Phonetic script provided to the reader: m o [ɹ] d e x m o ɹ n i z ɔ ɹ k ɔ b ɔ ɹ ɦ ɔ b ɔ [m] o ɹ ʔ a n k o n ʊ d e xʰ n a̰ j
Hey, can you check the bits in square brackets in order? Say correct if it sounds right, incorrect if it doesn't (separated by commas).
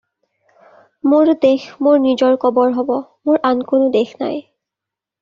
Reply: correct, correct